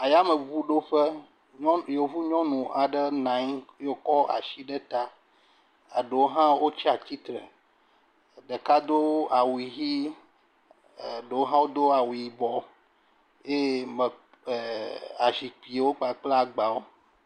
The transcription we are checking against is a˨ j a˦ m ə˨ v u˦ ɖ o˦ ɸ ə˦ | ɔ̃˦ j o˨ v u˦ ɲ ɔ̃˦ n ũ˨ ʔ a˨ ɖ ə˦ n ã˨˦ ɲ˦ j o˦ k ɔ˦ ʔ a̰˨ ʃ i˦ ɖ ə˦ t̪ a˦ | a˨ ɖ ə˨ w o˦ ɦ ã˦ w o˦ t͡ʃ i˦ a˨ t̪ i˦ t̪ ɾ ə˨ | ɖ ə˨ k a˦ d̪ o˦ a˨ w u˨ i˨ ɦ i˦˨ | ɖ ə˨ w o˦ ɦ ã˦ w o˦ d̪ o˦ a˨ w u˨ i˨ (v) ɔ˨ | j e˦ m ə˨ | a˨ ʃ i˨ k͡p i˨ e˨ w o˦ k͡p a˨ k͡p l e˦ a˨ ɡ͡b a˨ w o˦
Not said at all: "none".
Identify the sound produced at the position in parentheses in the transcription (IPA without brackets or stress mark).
b